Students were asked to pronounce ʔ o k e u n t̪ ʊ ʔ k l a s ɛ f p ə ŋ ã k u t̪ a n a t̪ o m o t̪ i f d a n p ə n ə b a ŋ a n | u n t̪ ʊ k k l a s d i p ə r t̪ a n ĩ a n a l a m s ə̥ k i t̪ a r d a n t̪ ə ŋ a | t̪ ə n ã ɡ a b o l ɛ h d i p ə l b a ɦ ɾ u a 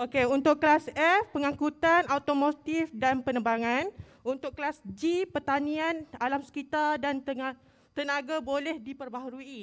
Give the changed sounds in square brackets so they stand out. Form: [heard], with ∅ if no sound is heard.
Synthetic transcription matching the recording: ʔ o k e u n t̪ ʊ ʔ k l a s ɛ f p ə ŋ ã k u t̪ a n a t̪ o m o t̪ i f d a n p ə n ə b a ŋ a n | u n t̪ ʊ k k l a s [d͡ʒ] i p ə r t̪ a n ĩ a n a l a m s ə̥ k i t̪ a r d a n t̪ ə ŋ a | t̪ ə n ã ɡ a b o l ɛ h d i p ə [r] b a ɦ ɾ u [i]